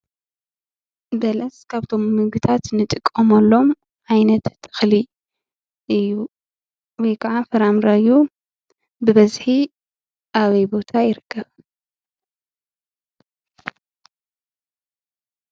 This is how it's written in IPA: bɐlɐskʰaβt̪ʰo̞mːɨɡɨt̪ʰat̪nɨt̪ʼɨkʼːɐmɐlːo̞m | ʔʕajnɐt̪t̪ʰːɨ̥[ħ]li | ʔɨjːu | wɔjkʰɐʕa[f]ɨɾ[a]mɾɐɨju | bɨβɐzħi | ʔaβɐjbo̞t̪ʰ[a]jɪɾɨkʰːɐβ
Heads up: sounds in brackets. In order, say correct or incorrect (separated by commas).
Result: incorrect, correct, correct, correct